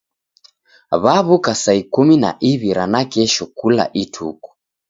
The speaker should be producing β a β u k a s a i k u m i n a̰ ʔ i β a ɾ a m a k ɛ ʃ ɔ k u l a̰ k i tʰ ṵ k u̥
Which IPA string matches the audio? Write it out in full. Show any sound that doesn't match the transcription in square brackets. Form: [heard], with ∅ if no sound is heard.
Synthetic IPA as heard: β a β u k a s a i k u m i n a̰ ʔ i β [i] ɾ a [n] a k ɛ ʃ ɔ k u l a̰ [ʔ] i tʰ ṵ k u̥